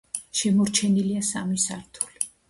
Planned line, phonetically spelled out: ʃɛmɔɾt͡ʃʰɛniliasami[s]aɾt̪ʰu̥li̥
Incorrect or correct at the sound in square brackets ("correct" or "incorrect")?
correct